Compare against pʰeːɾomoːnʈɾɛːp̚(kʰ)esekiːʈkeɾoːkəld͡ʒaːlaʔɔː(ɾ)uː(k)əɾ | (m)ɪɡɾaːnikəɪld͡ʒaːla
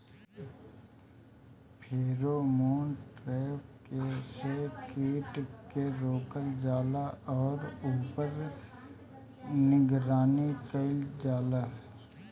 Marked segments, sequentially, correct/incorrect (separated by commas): incorrect, correct, incorrect, incorrect